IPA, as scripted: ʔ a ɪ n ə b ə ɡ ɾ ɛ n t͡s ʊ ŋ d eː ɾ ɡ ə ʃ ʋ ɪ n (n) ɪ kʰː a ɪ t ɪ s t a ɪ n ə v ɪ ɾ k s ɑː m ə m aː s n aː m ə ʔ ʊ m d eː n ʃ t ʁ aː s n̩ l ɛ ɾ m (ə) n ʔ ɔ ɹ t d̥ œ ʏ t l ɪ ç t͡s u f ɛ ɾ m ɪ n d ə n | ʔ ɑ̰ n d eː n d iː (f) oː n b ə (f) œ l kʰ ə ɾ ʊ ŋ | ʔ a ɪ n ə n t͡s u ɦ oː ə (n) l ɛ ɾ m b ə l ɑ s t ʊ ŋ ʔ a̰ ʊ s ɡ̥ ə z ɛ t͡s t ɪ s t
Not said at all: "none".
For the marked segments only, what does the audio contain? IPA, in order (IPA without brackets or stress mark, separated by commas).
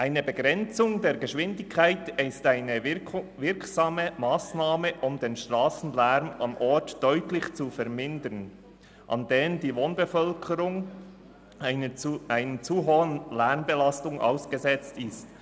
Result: d, ɑ, v, f, n